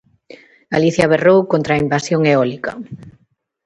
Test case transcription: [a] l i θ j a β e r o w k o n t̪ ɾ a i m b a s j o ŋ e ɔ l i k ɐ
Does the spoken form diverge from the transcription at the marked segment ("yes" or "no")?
no